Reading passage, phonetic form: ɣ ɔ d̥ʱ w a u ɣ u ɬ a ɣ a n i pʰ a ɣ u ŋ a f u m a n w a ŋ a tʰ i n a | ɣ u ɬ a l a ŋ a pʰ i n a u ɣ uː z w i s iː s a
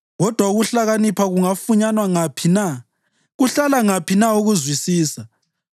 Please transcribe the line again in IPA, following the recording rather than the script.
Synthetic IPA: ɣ ɔ d̥ʱ w a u ɣ u ɬ a ɣ a n i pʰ a ɣ u ŋ a f u ɲ a n w a ŋ a pʰ i n a | ɣ u ɬ a l a ŋ a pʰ i n a u ɣ u z w i s iː s a